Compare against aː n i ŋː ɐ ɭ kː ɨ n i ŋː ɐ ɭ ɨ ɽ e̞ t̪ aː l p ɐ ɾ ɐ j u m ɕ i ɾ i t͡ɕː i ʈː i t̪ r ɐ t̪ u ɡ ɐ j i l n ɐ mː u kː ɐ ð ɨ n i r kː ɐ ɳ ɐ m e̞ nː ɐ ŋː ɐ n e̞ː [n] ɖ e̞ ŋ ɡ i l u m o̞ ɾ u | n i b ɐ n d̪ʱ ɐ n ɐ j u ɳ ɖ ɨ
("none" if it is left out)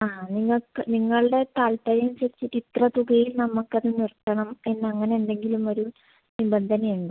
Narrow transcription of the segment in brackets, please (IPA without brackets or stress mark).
n